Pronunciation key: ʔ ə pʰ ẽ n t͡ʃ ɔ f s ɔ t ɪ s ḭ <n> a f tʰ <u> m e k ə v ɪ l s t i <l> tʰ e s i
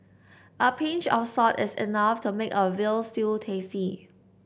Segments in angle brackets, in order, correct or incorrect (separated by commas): correct, correct, correct